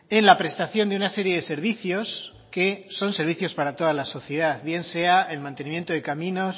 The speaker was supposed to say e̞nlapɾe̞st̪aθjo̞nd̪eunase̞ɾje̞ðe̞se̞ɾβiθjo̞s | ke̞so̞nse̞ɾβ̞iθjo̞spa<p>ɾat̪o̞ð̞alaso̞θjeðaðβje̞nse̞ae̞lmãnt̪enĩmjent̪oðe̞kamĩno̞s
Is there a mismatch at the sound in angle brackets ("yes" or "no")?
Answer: yes